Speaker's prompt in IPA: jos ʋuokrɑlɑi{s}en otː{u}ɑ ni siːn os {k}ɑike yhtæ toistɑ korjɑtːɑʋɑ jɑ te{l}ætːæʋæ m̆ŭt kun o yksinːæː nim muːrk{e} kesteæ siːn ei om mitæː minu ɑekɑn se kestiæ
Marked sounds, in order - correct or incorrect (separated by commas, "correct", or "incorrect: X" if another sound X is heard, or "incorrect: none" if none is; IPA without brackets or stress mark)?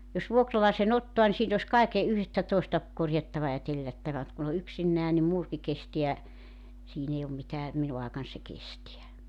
correct, incorrect: o, correct, incorrect: lː, incorrect: i